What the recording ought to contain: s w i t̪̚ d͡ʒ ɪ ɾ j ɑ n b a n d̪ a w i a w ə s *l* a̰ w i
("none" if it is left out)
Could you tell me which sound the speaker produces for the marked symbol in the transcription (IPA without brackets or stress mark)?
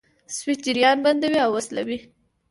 l